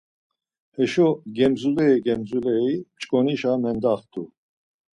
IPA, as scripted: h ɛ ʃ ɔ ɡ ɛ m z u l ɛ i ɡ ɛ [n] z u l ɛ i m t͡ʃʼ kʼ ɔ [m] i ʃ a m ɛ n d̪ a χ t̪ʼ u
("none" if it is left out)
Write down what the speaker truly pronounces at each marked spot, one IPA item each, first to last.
m, n

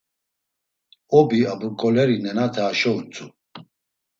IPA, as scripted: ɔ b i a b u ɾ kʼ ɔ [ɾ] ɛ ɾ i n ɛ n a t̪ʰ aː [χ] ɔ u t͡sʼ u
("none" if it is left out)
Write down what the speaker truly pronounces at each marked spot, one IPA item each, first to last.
l, ʃ

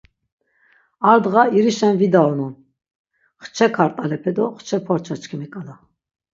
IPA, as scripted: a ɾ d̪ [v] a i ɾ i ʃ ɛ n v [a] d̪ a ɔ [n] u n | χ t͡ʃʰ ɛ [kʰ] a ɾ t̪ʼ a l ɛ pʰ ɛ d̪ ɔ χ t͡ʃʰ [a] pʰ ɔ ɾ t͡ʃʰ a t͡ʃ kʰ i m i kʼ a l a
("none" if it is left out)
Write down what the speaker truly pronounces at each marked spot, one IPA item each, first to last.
ʁ, i, n, kʰ, ɛ

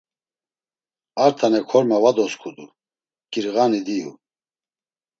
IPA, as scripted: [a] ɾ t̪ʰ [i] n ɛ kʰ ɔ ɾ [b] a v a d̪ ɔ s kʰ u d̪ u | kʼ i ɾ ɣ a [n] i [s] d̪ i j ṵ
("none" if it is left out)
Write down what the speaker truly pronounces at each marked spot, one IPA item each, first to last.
a, a, m, n, none

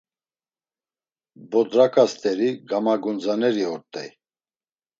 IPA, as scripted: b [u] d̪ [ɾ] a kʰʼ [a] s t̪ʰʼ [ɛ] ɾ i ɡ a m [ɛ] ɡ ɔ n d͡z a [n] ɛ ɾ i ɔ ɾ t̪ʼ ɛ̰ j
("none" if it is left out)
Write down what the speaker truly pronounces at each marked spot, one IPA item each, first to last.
ɔ, ɾ, a, ɛ, a, n

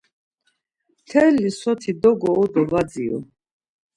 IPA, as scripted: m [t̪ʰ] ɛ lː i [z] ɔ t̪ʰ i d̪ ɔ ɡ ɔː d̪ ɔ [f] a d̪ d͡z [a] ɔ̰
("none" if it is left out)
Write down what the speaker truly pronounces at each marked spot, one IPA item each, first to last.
t̪ʰ, s, v, i

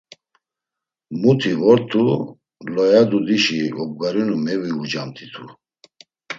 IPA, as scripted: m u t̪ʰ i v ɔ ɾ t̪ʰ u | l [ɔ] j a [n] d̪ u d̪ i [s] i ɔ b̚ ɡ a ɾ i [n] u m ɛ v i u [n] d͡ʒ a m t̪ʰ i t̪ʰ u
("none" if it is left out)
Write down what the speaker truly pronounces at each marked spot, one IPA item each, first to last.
ɔ, none, ʃ, n, none

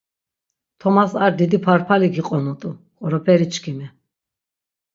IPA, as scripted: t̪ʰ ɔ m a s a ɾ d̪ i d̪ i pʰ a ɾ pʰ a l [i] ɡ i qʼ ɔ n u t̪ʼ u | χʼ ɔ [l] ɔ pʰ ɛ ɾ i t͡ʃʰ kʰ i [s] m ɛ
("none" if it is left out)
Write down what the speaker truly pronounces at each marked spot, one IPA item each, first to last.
i, ɾ, none

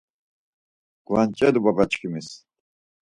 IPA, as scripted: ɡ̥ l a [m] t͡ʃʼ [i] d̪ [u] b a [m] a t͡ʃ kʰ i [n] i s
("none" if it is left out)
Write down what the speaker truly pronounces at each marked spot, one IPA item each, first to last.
n, ɛ, u, b, m

